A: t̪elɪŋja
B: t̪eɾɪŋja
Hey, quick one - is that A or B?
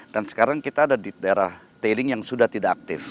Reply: A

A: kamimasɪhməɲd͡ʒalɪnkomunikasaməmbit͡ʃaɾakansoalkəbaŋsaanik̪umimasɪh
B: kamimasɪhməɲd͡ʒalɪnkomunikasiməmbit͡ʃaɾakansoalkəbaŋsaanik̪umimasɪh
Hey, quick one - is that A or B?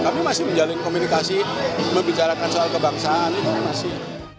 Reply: B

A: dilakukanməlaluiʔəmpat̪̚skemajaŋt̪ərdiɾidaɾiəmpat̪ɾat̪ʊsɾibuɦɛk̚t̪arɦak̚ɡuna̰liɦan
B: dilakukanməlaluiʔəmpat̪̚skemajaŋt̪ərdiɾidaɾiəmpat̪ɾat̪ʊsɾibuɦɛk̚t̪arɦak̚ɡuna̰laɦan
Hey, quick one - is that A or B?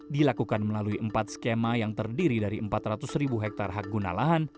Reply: B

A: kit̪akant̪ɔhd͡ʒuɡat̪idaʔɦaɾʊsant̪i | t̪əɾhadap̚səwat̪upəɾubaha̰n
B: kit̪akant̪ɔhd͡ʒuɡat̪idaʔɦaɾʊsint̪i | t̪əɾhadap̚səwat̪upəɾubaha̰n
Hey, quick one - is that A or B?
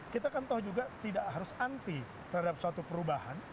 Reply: A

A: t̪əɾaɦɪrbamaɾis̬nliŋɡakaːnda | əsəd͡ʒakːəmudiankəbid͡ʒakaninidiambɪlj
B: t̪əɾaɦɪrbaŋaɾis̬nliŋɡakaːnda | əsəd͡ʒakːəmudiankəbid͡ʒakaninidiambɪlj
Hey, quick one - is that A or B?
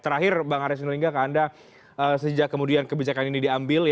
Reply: B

